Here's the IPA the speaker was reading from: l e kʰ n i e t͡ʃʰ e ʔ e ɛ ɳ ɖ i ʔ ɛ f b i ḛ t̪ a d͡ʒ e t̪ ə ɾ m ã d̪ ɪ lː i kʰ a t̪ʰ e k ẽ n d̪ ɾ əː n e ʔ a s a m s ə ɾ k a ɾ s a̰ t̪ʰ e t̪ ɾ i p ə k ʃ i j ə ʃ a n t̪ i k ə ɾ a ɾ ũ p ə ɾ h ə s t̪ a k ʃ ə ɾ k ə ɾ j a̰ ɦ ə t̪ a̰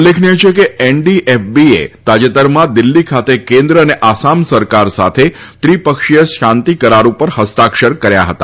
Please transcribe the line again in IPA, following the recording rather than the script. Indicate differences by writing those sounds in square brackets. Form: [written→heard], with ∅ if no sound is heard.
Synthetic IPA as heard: l e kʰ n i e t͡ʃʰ e [ʔ→k] e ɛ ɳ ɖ i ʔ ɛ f b i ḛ t̪ a d͡ʒ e t̪ ə ɾ m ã d̪ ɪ lː i kʰ a [t̪ʰ→t̪] e k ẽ n d̪ ɾ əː n e ʔ a s a m s ə ɾ k a ɾ s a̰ t̪ʰ e t̪ ɾ i p ə k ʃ i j ə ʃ a n t̪ i k ə ɾ a ɾ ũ p ə ɾ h ə s t̪ a k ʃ ə ɾ k ə ɾ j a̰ ɦ ə t̪ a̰